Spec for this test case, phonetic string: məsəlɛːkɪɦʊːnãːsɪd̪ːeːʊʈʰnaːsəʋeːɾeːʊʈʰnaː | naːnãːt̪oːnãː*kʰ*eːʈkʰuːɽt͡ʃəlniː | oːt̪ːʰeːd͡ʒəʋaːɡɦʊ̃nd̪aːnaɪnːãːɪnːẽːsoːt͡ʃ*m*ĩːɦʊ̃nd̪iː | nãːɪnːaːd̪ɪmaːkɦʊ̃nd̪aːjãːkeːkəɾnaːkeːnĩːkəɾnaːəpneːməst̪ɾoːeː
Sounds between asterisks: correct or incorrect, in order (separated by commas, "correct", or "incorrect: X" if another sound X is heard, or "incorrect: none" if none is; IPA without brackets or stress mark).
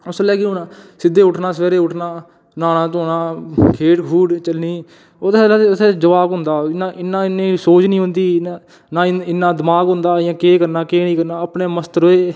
correct, incorrect: n